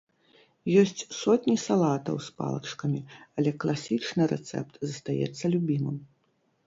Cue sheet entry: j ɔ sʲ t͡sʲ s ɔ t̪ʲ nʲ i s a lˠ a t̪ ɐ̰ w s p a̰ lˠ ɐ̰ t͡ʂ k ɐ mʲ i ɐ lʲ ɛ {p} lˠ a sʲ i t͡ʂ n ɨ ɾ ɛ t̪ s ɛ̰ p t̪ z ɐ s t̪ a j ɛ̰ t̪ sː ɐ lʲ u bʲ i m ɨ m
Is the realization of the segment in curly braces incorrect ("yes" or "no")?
yes